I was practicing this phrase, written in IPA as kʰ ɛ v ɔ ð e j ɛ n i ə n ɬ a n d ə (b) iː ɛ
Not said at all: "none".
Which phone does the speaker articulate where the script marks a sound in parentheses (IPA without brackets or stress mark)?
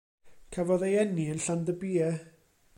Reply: b